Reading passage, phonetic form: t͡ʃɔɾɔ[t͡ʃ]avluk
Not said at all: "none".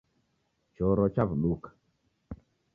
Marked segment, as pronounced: t͡ʃ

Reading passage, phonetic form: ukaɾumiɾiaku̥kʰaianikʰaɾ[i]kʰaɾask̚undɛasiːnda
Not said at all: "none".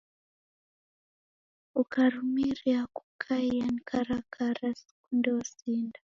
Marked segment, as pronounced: a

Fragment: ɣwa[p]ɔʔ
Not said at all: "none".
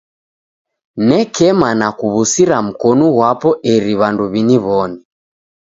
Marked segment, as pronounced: p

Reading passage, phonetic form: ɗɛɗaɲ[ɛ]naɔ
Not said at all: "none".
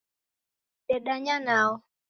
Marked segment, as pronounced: a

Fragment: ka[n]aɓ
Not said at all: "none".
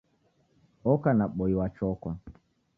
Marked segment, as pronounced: n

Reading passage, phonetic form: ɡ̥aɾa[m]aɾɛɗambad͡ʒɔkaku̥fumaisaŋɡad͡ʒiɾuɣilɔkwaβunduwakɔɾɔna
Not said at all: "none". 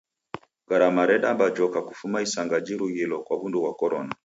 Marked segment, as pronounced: m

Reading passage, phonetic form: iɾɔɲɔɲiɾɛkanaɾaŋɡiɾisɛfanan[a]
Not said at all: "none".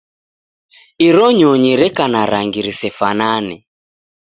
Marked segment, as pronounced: ɛ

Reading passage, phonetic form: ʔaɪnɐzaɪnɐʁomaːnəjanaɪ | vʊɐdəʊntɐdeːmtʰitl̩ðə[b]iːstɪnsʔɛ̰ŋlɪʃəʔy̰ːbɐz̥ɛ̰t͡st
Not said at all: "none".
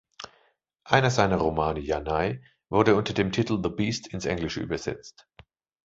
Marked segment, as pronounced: b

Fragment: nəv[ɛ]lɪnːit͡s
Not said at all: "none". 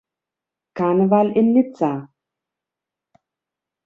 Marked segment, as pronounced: a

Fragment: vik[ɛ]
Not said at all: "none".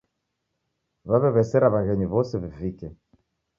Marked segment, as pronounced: ɛ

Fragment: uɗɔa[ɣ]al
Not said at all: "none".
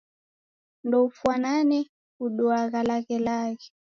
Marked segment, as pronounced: ɣ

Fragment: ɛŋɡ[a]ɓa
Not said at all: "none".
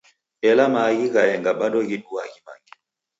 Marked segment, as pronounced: a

